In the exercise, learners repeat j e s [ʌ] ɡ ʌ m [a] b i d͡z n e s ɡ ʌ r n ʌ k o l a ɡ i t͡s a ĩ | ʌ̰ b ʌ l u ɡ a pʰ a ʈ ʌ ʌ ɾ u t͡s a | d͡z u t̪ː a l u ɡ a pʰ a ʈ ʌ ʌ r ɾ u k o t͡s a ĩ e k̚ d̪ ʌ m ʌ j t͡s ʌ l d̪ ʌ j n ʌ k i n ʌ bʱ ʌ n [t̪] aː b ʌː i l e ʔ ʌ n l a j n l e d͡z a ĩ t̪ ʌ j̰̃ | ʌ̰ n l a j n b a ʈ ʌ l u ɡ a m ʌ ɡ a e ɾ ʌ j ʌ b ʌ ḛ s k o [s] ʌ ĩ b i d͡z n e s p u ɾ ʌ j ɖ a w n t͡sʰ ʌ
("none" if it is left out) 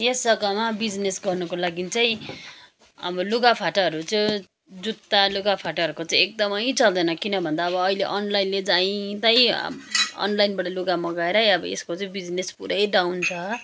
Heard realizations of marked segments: ʌ, a, d̪, t͡s

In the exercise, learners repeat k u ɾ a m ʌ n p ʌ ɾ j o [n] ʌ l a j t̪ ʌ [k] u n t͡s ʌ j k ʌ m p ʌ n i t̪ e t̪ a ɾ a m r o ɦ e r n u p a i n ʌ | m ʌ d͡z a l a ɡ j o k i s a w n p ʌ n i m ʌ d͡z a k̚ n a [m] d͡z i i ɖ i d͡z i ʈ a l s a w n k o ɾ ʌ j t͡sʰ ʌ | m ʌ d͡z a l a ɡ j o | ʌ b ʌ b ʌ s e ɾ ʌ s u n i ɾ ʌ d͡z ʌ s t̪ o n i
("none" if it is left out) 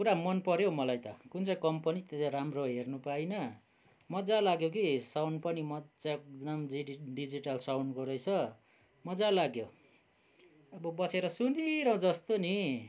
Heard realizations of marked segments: m, k, m

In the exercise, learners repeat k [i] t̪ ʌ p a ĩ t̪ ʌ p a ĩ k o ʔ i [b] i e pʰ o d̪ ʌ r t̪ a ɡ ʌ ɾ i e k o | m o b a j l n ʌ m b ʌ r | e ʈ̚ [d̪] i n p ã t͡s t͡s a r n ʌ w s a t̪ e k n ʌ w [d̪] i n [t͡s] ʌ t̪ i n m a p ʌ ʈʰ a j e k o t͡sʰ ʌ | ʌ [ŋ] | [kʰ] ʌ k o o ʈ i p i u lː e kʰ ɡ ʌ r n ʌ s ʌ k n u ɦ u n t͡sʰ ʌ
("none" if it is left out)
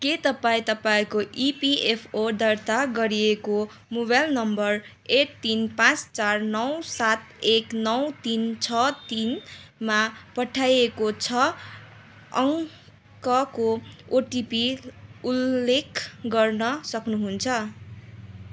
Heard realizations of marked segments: e, p, t̪, t̪, t͡sʰ, ŋ, k

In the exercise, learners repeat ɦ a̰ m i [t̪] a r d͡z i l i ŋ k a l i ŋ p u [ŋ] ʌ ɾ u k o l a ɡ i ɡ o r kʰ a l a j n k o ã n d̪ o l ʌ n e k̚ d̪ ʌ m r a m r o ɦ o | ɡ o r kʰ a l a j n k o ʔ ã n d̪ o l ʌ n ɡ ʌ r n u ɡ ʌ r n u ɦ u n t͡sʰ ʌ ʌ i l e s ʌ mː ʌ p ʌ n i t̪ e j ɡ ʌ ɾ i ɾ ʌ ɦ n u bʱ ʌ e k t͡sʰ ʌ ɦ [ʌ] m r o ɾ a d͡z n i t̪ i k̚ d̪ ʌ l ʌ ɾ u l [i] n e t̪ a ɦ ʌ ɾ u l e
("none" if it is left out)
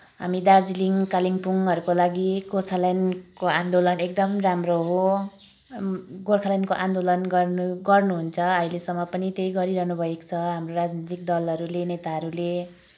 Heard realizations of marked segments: d̪, ŋ, a, e

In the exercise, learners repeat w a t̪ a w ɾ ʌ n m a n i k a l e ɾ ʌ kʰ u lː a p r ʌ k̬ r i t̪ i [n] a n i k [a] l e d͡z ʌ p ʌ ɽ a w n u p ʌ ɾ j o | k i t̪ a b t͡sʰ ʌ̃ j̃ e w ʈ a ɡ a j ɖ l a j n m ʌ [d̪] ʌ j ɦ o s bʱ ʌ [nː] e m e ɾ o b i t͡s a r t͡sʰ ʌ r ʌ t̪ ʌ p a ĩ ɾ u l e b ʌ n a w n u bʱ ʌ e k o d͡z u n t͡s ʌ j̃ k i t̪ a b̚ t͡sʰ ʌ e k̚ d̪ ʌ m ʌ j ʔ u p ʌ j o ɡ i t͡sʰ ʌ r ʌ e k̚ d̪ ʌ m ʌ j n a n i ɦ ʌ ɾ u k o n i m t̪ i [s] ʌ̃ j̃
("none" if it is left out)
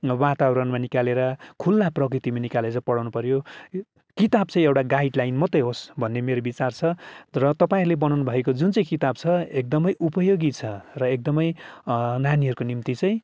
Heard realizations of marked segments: m, a, t̪, nː, t͡s

